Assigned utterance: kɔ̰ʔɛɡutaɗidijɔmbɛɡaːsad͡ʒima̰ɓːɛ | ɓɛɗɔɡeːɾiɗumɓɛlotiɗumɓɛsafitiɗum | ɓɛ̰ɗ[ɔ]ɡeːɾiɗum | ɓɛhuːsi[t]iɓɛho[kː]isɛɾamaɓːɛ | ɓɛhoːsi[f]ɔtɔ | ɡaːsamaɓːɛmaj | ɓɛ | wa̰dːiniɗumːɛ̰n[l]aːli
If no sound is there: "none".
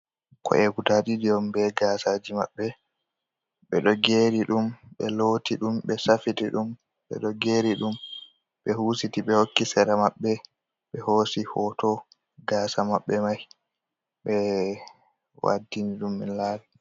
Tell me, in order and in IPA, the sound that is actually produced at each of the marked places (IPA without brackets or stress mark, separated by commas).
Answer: ɔ, t, kː, h, l